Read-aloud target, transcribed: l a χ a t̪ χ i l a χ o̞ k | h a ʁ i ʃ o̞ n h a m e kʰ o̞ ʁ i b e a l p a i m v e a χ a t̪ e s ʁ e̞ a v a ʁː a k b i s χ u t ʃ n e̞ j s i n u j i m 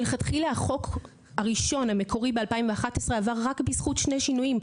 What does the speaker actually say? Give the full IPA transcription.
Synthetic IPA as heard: l e χ a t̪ χ i l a χ o̞ k | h a ʁ i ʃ o̞ n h a m e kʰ o̞ ʁ i b e a l p a i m v e a χ a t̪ e s ʁ e̞ a v a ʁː a k b i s χ u t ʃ n e̞ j ʃ i n u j i m